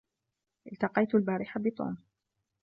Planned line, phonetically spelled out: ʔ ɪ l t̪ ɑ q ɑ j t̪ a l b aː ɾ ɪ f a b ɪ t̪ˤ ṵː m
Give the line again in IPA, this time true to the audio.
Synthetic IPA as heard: ʔ ɪ l t̪ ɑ q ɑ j t̪ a l b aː ɾ ɪ ħ a b ɪ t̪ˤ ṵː m

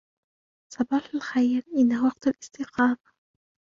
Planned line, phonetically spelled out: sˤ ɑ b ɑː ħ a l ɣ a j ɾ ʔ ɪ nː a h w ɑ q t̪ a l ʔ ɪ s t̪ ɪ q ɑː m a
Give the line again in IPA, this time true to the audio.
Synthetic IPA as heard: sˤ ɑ b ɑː ħ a l x a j ɾ ʔ ɪ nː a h w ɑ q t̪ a l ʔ ɪ s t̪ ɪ q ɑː m a

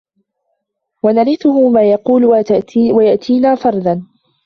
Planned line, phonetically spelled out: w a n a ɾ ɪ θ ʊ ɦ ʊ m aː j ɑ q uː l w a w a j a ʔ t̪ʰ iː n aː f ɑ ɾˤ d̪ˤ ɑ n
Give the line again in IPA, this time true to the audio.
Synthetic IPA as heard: w a n a ɾ ɪ θ ʊ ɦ ʊ m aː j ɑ q uː l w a w a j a ʔ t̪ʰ iː n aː f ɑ ɾˤ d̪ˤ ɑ n

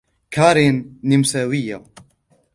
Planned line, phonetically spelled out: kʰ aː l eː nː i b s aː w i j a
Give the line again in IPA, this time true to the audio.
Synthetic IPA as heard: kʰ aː ɾ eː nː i m s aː w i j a

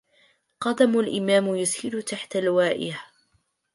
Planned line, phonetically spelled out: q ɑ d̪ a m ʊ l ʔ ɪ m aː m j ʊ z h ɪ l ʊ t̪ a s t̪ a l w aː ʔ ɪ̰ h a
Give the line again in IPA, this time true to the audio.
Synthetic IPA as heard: q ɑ d̪ a m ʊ l ʔ ɪ m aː m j ʊ s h ɪ l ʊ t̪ a ħ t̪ a l w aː ʔ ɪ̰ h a

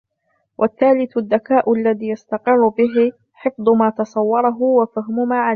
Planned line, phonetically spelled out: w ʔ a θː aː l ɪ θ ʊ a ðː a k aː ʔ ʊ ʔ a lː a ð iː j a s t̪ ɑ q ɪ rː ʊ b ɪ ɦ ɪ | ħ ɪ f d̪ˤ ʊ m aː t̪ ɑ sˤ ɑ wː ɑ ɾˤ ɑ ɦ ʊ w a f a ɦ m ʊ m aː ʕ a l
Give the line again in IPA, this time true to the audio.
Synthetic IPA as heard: w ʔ a θː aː l ɪ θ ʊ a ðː a k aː ʔ ʊ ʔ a lː a ð iː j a s t̪ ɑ q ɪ rː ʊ b ɪ ɦ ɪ | ħ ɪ f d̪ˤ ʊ m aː t̪ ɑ sˤ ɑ wː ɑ ɾˤ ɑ ɦ ʊ w a f a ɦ m ʊ m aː ʕ a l

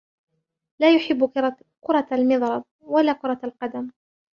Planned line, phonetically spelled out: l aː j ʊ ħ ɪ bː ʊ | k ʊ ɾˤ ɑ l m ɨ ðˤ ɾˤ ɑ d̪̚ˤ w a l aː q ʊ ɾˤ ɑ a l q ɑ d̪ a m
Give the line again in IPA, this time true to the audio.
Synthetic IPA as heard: l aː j ʊ ħ ɪ bː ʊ | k ʊ ɾˤ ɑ l m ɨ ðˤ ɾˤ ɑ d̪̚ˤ w a l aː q ʊ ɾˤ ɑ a l q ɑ d̪ a m

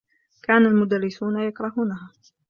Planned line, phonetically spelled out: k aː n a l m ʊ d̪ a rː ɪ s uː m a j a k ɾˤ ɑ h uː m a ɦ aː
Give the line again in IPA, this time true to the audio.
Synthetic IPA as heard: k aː n a l m ʊ d̪ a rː ɪ s uː n a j a k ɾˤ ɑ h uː n a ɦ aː

